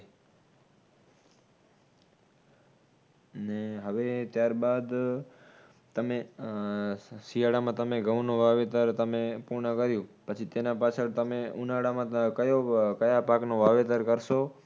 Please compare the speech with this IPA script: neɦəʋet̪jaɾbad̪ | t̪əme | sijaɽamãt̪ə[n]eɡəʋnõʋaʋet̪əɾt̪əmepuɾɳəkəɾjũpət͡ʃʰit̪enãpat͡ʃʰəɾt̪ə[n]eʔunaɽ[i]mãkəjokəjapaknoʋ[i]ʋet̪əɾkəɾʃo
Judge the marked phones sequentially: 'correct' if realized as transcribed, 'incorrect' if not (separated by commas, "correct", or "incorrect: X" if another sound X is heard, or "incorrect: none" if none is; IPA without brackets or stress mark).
incorrect: m, incorrect: m, incorrect: a, incorrect: a